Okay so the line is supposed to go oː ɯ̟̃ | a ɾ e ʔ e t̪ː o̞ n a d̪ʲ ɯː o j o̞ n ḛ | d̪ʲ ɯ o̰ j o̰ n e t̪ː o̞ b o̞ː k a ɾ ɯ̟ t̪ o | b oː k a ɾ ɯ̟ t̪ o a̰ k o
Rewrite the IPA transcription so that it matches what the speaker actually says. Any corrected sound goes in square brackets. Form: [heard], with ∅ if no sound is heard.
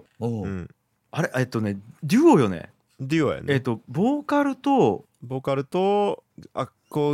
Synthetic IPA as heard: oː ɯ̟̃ | a ɾ e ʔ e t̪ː o̞ n [e] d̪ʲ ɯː o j o̞ n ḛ | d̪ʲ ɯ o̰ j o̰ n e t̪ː o̞ b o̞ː k a ɾ ɯ̟ t̪ o | b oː k a ɾ ɯ̟ t̪ o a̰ k o